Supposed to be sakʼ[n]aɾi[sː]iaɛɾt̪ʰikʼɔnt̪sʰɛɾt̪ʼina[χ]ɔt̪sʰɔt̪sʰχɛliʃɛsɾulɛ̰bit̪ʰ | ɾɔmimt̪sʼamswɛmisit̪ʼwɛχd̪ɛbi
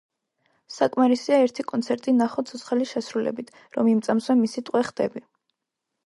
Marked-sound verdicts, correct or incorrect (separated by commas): incorrect, incorrect, correct